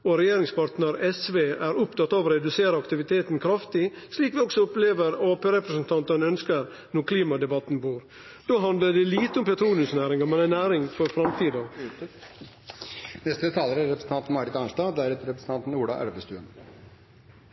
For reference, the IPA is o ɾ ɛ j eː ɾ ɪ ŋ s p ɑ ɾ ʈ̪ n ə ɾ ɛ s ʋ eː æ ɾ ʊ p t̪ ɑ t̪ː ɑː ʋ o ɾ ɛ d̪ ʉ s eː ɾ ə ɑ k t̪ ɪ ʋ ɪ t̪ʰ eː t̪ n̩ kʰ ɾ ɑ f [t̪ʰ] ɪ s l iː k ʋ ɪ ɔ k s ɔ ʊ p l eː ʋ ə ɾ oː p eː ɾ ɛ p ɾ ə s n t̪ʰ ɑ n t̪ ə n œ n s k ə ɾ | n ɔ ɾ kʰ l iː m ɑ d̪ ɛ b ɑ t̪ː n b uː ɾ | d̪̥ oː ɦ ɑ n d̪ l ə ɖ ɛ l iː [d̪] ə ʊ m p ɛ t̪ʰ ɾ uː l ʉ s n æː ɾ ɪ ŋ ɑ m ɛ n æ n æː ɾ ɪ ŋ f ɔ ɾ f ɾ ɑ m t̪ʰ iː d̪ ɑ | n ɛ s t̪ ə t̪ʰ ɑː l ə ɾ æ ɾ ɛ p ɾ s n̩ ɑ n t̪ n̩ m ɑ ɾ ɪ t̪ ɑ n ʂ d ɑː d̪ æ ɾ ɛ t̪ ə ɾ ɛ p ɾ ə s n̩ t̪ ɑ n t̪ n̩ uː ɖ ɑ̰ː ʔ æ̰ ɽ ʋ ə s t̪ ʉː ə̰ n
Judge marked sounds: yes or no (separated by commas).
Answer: no, no